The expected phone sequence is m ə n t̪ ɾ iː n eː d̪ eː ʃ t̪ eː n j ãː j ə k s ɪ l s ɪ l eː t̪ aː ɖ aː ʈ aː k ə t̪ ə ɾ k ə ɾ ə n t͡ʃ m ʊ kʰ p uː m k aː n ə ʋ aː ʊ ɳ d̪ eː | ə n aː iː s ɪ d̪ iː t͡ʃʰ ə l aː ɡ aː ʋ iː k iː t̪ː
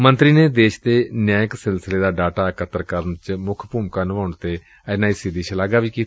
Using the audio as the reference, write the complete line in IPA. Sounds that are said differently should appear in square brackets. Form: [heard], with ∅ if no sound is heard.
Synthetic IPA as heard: m ə n t̪ ɾ iː n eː d̪ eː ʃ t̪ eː n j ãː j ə k s ɪ l s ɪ l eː [d̪] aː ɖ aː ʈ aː k ə t̪ ə ɾ k ə ɾ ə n t͡ʃ m ʊ kʰ p uː m k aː n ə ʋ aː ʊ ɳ [t̪] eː | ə n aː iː s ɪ d̪ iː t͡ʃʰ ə l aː ɡ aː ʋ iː k iː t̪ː